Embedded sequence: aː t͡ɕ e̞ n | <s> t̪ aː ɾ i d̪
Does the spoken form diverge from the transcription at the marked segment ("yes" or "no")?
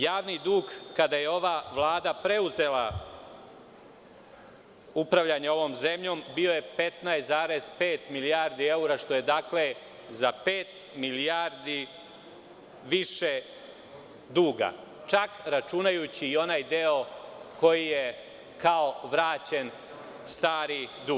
no